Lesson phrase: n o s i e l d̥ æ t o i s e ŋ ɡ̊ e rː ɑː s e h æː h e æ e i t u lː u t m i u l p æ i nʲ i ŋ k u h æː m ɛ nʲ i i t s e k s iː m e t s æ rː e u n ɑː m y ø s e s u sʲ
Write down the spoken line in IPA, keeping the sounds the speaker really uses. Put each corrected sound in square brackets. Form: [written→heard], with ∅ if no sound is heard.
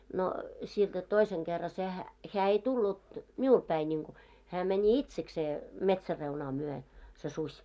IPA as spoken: n o s i e l d̥ æ t o i s e ŋ ɡ̊ e rː [ɑː→ɑ] s e h [æː→æ] h e æ e i t u lː u t m i u l p æ i nʲ i ŋ k u h æː m ɛ nʲ i i t s e k s [iː→eː] m e t s æ rː e u n ɑː m y ø s e s u sʲ